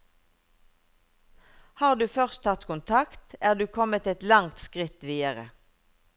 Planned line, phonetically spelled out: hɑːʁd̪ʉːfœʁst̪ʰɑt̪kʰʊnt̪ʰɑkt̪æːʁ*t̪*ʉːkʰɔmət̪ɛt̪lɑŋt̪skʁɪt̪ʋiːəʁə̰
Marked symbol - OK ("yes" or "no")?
no